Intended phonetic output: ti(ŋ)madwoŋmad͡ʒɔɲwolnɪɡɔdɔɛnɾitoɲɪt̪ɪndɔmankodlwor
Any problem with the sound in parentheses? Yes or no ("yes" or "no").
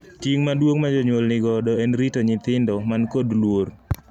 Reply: no